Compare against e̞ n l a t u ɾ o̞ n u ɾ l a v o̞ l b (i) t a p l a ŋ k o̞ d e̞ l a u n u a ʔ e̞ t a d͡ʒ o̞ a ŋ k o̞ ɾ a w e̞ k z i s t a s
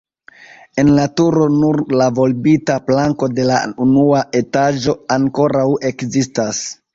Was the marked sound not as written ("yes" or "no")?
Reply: no